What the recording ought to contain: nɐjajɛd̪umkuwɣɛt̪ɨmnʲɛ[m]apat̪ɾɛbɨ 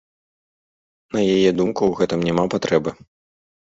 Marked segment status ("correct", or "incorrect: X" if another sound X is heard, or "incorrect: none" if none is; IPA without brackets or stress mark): correct